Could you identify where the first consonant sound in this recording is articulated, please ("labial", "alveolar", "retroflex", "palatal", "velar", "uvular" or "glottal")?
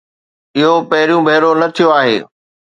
glottal